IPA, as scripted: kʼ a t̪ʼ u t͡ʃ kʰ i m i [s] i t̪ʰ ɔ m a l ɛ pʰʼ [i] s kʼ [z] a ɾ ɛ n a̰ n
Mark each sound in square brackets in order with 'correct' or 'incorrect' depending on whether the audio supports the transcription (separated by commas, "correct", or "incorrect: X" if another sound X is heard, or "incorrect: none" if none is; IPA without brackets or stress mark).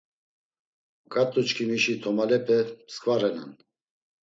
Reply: incorrect: ʃ, incorrect: ɛ, incorrect: v